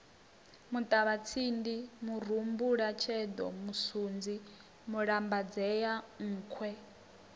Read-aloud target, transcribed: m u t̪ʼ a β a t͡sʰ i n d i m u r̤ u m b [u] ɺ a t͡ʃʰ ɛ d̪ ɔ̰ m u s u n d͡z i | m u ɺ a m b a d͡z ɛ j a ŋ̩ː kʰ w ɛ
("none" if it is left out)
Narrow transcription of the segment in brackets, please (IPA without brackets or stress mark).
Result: u